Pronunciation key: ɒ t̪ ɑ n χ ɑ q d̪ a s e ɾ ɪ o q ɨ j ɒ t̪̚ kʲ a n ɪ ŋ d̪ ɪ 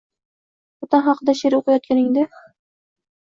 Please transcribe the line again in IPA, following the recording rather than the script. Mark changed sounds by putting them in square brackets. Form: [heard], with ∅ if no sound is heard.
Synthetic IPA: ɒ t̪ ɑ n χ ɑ q d̪ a [ʃ] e ɾ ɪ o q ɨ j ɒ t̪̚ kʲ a n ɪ ŋ d̪ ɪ